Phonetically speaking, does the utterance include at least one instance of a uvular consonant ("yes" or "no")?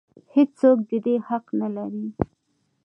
yes